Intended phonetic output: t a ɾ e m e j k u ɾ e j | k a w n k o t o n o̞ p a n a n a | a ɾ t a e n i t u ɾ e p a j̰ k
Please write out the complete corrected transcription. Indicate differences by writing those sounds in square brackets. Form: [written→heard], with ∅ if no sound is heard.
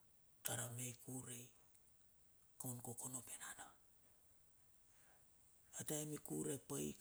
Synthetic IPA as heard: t a ɾ [e→a] m e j k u ɾ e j | k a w n k o [t→k] o n o̞ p [a→e] n a n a | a [ɾ→∅] t a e [n→m] i [t→k] u ɾ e p a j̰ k